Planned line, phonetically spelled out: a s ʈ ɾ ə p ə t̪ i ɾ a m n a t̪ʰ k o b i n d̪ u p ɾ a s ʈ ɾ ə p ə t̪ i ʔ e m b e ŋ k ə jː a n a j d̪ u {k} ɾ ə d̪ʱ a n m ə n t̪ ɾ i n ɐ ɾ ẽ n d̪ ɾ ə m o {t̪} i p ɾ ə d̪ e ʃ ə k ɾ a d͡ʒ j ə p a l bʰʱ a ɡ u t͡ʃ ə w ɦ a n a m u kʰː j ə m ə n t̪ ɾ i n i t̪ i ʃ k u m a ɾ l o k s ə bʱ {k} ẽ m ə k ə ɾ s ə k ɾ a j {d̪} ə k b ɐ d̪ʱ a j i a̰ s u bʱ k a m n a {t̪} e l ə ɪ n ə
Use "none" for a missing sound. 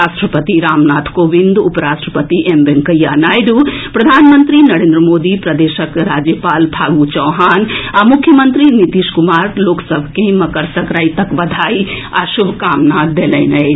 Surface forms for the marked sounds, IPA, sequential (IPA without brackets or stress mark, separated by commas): p, d̪, k, t̪, d̪